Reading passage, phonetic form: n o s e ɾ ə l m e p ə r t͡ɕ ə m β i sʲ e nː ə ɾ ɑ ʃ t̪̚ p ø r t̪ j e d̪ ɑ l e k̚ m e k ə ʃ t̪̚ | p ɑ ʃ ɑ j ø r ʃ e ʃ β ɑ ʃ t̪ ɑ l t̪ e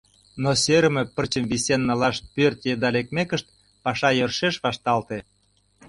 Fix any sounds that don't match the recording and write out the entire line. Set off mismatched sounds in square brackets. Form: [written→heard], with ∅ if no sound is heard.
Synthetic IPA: n o s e ɾ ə [l→∅] m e p ə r t͡ɕ ə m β i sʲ e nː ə [ɾ→l] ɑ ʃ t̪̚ p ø r t̪ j e d̪ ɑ l e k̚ m e k ə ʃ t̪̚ | p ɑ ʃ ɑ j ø r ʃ e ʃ β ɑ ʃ t̪ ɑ l t̪ e